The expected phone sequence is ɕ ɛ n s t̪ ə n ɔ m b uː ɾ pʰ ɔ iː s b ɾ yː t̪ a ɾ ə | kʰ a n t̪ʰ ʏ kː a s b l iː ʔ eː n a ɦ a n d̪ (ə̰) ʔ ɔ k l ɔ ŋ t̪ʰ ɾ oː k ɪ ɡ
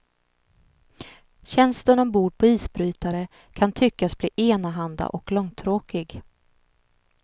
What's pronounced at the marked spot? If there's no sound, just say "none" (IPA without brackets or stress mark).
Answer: a̰